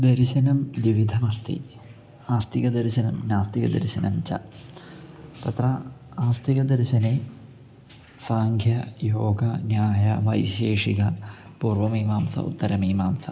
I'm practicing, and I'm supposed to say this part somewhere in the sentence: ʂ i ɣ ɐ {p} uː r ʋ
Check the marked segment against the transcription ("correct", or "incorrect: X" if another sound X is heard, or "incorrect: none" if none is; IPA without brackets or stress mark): correct